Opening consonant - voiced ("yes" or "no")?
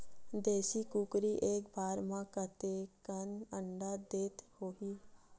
yes